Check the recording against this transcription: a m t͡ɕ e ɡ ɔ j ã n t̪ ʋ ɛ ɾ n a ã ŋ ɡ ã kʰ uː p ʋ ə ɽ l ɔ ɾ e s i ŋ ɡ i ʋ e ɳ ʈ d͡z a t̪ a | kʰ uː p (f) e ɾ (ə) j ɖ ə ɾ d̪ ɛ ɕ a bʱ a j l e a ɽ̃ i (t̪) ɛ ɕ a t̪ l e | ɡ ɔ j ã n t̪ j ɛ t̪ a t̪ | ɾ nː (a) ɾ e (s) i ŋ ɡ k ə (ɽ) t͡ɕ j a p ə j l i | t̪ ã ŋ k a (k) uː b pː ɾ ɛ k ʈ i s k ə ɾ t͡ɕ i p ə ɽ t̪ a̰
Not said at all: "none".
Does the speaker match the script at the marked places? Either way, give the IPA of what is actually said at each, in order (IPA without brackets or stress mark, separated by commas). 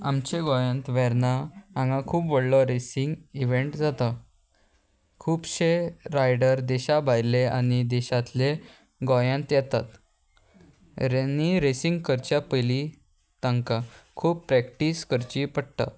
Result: ɕ, a, d̪, i, s, ɾ, kʰ